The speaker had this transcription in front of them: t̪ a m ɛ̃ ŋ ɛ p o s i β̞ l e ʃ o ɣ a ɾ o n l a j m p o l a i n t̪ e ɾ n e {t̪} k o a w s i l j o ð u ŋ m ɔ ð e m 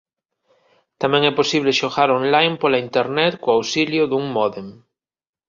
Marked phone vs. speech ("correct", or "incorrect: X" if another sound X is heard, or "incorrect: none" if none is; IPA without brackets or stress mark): correct